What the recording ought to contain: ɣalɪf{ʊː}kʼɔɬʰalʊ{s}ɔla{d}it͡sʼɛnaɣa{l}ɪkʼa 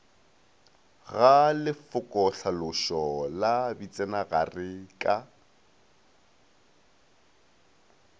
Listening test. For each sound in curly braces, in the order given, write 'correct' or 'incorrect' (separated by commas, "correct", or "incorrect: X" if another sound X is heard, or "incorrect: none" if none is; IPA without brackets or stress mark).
incorrect: ʊ, incorrect: ʃ, incorrect: b, incorrect: r